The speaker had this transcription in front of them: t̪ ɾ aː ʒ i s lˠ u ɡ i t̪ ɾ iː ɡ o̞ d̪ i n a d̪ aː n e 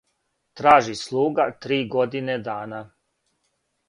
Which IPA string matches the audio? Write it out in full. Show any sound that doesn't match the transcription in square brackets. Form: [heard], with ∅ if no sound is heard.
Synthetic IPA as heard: t̪ ɾ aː ʒ i s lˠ [uː] ɡ [a] t̪ ɾ iː ɡ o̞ d̪ i n [e] d̪ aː n [a]